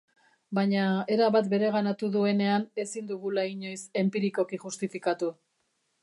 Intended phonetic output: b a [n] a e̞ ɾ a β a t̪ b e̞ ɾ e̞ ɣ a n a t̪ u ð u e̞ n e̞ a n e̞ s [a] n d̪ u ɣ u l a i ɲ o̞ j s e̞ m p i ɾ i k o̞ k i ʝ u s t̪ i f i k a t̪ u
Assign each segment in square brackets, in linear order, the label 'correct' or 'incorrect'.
incorrect, incorrect

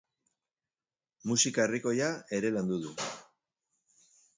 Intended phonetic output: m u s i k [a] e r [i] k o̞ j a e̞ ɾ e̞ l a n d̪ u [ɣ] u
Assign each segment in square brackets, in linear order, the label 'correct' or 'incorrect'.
correct, correct, incorrect

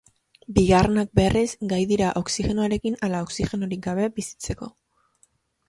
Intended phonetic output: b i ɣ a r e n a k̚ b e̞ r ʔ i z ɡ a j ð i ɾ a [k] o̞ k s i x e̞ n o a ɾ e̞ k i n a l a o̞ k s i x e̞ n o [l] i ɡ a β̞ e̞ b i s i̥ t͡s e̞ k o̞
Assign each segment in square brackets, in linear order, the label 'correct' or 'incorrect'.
incorrect, incorrect

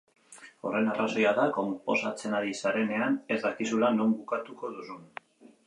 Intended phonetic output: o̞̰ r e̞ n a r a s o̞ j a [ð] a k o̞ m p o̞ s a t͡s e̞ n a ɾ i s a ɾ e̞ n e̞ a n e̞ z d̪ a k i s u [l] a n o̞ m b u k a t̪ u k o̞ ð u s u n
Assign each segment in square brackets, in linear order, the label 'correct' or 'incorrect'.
correct, correct

